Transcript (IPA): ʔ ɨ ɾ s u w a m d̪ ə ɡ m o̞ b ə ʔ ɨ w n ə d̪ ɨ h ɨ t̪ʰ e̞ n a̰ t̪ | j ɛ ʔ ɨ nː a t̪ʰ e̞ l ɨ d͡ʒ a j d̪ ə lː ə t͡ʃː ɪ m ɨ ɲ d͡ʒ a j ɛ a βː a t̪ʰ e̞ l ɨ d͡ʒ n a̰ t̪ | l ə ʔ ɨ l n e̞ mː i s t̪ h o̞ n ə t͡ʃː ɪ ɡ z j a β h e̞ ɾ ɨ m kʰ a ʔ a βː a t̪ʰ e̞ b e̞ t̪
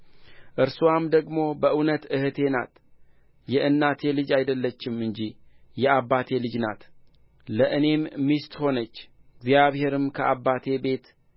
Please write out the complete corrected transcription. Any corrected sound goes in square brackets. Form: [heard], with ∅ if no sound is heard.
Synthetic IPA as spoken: ʔ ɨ ɾ s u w a m d̪ ə ɡ m o̞ b ə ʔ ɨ w n ə [t̪] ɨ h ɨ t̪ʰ e̞ n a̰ t̪ | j ɛ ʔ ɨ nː a t̪ʰ e̞ l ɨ d͡ʒ a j d̪ ə lː ə t͡ʃː ɪ m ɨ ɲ d͡ʒ [i] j ɛ a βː a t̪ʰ e̞ l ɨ d͡ʒ n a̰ t̪ | l ə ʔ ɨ [∅] n e̞ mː i s t̪ h o̞ n ə t͡ʃː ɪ ɡ z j a β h e̞ ɾ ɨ m kʰ [ə] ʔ a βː a t̪ʰ e̞ b e̞ t̪